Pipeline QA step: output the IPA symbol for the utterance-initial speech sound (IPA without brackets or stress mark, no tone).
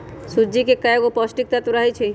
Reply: s